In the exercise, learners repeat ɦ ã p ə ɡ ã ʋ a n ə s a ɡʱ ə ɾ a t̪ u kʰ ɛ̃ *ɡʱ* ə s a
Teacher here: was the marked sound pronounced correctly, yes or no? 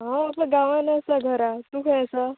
no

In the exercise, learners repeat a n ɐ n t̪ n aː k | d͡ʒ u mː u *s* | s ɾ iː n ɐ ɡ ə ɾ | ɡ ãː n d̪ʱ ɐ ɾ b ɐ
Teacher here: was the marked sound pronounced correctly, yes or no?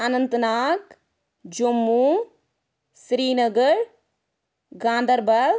no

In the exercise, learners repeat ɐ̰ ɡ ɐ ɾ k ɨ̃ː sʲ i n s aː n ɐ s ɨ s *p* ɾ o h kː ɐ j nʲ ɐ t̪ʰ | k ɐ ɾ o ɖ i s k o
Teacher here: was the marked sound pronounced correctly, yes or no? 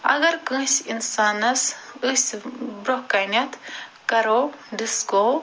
no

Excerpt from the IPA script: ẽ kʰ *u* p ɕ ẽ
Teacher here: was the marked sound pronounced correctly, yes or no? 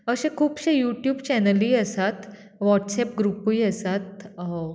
no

